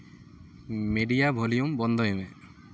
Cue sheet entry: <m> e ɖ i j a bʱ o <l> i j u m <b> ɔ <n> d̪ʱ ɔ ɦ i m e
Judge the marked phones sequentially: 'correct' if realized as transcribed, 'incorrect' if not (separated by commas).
correct, correct, correct, correct